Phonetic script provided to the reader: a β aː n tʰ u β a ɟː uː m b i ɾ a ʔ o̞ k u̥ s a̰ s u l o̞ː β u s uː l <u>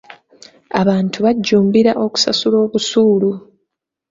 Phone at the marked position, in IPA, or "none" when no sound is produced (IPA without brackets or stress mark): u